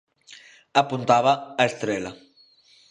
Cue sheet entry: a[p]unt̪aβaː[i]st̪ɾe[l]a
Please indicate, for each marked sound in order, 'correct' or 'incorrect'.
correct, incorrect: e, correct

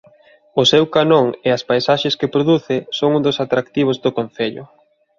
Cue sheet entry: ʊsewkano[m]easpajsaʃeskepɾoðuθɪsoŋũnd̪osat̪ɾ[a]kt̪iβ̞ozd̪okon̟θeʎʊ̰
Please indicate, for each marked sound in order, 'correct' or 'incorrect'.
incorrect: ŋ, correct

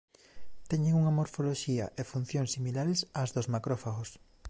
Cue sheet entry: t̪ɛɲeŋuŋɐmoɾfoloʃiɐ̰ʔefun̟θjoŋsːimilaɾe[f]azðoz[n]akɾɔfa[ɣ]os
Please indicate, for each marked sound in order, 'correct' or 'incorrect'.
incorrect: s, incorrect: m, correct

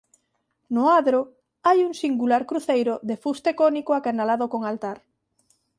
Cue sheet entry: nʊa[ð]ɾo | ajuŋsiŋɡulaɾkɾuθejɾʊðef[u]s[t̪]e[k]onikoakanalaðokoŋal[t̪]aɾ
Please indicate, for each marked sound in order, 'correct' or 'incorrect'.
correct, correct, correct, correct, correct

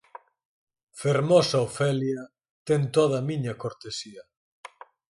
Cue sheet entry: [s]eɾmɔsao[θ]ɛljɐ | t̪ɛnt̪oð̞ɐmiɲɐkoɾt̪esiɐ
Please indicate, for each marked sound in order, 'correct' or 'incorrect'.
incorrect: f, incorrect: f

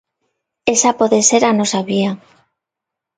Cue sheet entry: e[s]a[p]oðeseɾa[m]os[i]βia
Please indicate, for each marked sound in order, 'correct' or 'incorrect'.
correct, correct, incorrect: n, incorrect: a

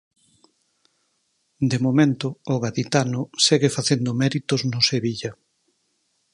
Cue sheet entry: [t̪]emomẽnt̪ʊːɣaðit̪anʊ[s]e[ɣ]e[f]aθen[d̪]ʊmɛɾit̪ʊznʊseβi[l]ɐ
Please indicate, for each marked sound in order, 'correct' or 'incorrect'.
incorrect: d̪, correct, correct, correct, correct, incorrect: ʎ

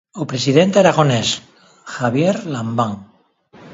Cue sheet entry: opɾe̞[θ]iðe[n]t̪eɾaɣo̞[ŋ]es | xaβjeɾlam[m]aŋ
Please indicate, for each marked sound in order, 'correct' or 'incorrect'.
incorrect: s, correct, incorrect: n, incorrect: b

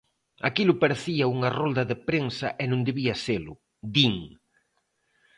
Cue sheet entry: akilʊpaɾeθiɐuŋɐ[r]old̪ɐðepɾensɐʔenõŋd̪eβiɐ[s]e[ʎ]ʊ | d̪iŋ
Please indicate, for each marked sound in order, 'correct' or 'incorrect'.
correct, correct, incorrect: l

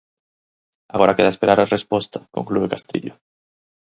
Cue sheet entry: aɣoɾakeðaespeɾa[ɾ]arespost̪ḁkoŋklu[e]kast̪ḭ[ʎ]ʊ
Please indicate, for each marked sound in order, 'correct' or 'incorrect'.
correct, correct, correct

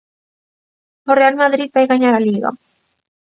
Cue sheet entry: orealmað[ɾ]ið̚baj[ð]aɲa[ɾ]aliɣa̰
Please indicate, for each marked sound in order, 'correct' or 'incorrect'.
correct, incorrect: ɣ, correct

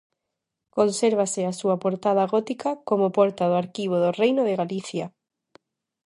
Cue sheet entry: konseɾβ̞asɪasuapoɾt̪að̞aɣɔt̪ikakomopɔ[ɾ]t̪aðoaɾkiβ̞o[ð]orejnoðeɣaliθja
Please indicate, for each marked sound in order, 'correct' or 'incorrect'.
correct, correct

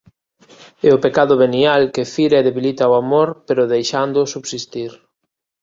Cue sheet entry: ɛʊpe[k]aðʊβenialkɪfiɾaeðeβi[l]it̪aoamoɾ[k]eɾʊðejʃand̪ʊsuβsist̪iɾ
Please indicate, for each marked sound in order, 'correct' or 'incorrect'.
correct, correct, incorrect: p

